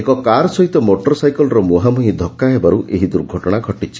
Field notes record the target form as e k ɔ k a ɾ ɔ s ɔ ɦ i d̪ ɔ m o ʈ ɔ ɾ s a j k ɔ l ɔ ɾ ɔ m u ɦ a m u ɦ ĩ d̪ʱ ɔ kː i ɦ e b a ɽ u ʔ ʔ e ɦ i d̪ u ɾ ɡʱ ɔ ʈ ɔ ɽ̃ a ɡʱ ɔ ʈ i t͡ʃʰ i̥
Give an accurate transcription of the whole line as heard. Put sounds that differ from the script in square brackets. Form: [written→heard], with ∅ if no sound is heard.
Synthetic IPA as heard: e k ɔ k a ɾ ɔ s ɔ ɦ i [d̪→t̪] ɔ m o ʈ ɔ ɾ s a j k ɔ l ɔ ɾ ɔ m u ɦ a m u ɦ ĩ d̪ʱ ɔ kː [i→a] ɦ e b a [ɽ→ɾ] u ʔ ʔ e ɦ i d̪ u ɾ ɡʱ ɔ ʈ ɔ ɽ̃ a ɡʱ ɔ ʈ i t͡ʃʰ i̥

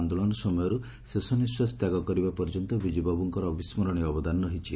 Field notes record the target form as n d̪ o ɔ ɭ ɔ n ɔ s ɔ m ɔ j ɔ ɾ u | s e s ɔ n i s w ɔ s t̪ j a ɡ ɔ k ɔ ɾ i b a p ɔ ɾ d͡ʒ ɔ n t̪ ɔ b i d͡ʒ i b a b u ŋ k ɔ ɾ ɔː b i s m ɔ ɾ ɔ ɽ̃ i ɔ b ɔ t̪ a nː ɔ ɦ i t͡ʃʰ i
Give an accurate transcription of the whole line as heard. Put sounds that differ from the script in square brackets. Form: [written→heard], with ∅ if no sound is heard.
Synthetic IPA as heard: n d̪ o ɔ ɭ ɔ n ɔ s ɔ m ɔ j ɔ ɾ u | s e s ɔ n i s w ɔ s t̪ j a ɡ ɔ k ɔ ɾ i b a p ɔ ɾ d͡ʒ ɔ n t̪ ɔ b i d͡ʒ i b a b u ŋ k ɔ ɾ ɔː b i s m ɔ ɾ ɔ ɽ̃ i ɔ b ɔ [t̪→d̪] a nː ɔ ɦ i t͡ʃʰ i

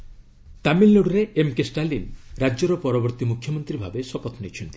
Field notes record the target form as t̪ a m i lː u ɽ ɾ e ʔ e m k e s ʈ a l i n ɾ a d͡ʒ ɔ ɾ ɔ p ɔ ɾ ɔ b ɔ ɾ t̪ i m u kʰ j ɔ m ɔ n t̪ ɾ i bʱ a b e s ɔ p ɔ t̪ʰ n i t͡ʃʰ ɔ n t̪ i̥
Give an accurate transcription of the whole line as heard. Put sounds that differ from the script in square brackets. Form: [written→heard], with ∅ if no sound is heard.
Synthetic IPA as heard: t̪ a m i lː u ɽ ɾ e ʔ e m k e s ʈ a l i n ɾ a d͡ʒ ɔ ɾ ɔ p ɔ ɾ ɔ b ɔ ɾ t̪ i m u kʰ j ɔ m ɔ n t̪ ɾ i bʱ a b e s ɔ p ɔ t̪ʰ n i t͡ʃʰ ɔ n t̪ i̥

